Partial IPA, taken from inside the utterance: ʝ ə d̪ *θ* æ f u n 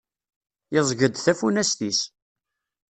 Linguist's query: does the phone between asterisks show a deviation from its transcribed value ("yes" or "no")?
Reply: no